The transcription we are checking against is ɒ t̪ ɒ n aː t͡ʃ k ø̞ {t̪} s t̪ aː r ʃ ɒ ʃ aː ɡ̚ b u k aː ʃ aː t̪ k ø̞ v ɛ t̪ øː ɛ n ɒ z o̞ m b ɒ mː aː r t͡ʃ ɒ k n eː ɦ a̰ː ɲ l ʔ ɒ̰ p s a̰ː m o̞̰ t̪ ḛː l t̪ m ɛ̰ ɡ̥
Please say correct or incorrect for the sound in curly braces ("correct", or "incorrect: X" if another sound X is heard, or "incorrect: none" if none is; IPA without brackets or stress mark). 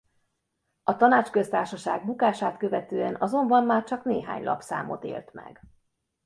incorrect: none